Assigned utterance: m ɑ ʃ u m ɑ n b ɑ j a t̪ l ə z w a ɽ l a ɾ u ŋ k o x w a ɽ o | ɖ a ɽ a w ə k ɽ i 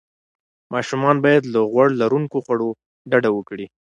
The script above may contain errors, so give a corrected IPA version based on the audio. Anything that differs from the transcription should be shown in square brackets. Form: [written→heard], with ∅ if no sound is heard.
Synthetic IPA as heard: m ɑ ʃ u m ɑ n b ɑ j a [t̪→d̪] l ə [z→ɣ] w a ɽ l a ɾ u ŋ k o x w a ɽ o | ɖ a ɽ a w ə k ɽ i